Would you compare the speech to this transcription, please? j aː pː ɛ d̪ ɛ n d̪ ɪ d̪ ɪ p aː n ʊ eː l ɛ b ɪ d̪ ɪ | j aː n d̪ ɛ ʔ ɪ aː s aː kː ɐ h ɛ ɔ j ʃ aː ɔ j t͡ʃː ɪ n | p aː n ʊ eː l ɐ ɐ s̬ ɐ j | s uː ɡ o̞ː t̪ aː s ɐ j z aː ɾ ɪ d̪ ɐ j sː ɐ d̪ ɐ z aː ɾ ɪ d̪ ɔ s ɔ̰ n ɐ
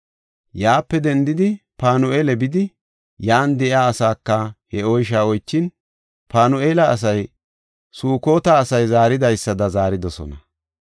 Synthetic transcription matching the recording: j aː pː ɛ d̪ ɛ n d̪ ɪ d̪ ɪ p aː n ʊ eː l ɛ b ɪ d̪ ɪ | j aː n d̪ ɛ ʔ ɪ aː s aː kː ɐ h ɛ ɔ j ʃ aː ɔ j t͡ʃː ɪ n | p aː n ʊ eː l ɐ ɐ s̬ ɐ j | s uː k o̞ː t̪ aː s ɐ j z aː ɾ ɪ d̪ ɐ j sː ɐ d̪ ɐ z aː ɾ ɪ d̪ ɔ s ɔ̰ n ɐ